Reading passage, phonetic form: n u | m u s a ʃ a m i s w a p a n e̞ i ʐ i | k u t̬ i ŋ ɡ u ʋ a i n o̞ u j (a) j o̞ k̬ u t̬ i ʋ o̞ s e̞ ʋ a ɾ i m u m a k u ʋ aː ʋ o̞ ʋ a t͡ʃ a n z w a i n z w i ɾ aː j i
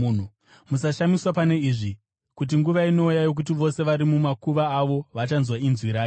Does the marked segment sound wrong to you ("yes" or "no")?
no